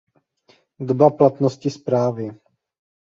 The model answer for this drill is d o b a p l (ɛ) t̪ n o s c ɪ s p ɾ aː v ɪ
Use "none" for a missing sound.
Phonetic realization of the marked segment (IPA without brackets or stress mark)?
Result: a